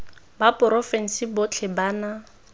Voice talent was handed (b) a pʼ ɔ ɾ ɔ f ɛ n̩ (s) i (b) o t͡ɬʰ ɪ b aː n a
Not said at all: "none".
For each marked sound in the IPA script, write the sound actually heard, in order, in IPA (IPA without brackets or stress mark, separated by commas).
b, s, b